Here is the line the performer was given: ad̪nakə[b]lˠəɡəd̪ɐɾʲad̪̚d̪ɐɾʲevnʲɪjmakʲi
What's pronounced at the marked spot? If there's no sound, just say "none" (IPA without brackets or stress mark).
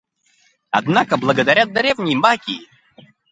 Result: b